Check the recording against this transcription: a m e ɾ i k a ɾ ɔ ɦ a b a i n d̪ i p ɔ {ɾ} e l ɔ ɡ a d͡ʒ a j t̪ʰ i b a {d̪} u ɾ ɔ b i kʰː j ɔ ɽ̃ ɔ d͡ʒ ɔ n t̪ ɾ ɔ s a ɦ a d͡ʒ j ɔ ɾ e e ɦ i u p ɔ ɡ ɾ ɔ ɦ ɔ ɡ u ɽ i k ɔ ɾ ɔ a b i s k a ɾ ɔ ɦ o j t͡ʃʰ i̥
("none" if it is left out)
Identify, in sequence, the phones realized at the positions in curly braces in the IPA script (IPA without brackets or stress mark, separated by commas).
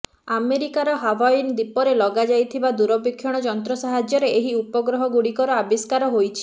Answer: ɾ, d̪